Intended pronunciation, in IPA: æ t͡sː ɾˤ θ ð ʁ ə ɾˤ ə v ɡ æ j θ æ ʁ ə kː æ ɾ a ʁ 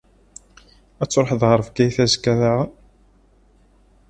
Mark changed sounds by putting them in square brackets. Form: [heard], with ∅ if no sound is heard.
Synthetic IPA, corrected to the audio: æ t͡sː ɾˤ [ħ] ð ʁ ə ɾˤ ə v ɡ æ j θ æ [z] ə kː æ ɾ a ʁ